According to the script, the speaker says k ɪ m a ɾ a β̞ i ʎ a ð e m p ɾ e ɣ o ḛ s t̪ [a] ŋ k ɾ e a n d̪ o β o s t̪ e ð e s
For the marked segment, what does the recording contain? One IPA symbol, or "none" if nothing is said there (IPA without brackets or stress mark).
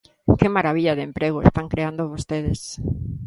a